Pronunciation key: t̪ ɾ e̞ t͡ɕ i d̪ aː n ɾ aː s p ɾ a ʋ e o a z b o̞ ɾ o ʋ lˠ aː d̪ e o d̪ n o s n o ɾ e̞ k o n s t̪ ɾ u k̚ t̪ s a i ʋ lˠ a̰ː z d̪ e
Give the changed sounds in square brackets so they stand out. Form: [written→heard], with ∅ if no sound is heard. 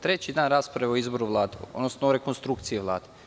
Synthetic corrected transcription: t̪ ɾ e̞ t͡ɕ i d̪ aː n ɾ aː s p ɾ a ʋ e o [a→i] z b o̞ ɾ [o→u] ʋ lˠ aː d̪ e o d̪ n o s n o ɾ e̞ k o n s t̪ ɾ u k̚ t̪ s [a→i] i ʋ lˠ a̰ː [z→∅] d̪ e